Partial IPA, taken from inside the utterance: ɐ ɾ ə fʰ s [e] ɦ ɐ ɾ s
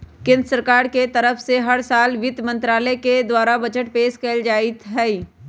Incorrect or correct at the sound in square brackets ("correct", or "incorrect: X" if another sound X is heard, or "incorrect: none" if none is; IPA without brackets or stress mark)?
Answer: correct